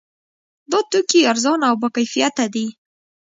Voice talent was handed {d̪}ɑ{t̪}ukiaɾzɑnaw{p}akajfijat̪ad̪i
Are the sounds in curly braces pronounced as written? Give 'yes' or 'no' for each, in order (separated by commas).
yes, yes, no